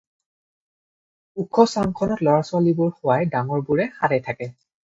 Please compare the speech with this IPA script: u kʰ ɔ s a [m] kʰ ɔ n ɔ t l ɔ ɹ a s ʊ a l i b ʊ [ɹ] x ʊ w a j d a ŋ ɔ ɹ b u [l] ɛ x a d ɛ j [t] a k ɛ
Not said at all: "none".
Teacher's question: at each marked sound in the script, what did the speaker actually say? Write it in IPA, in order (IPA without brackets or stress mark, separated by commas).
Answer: ŋ, ɹ, ɹ, tʰ